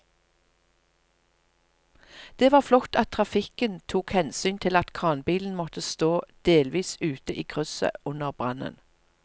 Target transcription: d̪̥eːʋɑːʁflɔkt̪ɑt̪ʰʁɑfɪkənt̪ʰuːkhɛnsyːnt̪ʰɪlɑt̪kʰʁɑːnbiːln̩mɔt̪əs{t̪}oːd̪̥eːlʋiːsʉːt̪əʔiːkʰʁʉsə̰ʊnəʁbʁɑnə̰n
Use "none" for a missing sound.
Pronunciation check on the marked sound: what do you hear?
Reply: t̪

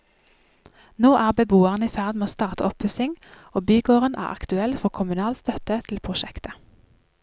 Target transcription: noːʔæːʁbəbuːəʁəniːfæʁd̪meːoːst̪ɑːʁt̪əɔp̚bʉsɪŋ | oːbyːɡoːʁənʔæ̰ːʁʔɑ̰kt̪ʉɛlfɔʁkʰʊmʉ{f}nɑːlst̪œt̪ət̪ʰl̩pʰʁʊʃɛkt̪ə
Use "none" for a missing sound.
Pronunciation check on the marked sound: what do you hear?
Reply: none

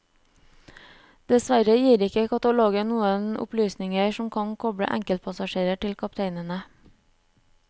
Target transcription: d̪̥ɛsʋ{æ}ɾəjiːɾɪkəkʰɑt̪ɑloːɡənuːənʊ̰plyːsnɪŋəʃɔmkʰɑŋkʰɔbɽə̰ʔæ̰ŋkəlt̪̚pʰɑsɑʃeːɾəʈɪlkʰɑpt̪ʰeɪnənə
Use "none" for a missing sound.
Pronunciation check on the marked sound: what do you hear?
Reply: æ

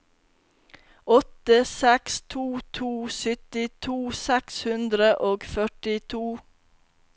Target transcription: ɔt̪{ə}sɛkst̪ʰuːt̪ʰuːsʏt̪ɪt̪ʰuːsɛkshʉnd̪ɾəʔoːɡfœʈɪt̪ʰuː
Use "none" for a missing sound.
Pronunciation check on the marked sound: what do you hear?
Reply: ə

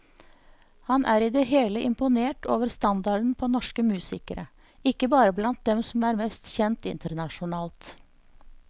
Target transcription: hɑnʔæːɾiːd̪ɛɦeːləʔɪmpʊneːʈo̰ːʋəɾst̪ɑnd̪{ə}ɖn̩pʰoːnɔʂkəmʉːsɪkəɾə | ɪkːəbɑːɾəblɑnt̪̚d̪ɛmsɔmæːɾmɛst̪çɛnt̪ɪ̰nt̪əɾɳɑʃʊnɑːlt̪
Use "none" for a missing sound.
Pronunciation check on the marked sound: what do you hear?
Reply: ɑ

